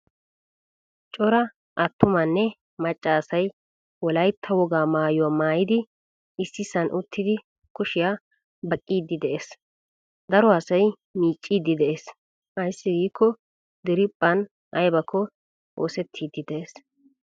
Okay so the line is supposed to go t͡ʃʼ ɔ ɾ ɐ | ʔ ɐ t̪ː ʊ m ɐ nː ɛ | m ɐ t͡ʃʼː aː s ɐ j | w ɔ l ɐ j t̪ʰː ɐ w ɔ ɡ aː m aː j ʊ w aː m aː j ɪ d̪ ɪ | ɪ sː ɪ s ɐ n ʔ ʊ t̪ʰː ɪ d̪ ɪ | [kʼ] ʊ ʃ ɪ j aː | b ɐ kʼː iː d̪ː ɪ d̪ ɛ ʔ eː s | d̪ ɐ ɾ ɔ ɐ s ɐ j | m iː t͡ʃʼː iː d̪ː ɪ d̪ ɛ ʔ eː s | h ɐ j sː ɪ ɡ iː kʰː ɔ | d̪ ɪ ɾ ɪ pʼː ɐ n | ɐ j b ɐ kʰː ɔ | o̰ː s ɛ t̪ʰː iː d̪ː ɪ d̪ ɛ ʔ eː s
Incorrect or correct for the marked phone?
incorrect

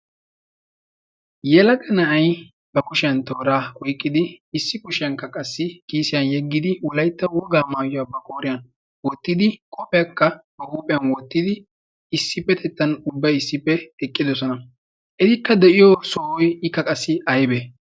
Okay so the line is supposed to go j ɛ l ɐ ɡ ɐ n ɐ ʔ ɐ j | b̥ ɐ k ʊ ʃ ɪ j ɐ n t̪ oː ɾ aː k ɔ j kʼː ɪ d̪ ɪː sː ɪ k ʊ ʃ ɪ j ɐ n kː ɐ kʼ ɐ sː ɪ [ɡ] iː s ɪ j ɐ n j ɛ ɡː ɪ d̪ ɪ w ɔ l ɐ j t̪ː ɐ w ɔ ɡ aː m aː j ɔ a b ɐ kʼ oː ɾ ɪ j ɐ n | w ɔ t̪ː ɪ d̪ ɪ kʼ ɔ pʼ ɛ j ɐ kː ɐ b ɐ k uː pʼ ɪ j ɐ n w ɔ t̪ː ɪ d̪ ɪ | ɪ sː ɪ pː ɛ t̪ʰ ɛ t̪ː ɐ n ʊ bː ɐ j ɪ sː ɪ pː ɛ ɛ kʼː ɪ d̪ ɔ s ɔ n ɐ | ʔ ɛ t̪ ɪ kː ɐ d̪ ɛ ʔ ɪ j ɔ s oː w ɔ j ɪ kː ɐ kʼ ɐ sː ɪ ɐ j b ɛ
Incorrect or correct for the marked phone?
incorrect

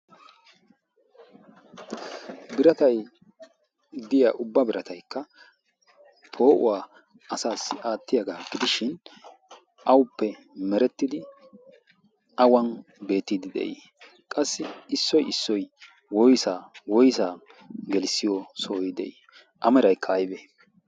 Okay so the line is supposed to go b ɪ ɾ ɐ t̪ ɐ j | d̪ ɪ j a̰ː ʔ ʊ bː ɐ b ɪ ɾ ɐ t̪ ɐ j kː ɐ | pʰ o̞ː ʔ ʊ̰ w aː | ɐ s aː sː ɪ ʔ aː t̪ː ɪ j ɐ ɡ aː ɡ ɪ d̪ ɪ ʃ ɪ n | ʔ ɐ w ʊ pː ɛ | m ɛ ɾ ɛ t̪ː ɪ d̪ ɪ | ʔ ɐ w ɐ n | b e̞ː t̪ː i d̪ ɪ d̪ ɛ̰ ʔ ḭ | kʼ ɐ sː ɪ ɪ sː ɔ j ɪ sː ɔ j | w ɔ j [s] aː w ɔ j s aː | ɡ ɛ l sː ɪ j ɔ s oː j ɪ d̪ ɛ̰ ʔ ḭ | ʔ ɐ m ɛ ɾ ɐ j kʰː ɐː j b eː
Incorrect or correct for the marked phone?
correct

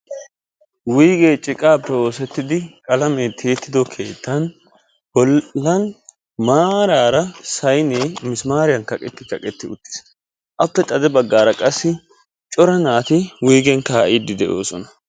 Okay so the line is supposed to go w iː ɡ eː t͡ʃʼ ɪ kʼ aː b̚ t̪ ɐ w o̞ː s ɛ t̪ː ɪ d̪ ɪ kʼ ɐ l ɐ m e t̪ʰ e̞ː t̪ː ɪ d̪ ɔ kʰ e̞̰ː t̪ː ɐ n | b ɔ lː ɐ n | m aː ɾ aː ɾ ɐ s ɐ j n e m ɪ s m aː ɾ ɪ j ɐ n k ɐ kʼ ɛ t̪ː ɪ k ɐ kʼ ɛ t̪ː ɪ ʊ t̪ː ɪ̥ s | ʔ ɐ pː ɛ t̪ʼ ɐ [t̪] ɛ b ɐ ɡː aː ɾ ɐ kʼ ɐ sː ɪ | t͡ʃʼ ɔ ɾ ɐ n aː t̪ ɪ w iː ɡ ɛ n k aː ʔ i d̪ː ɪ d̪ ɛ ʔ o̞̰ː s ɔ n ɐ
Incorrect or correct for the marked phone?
incorrect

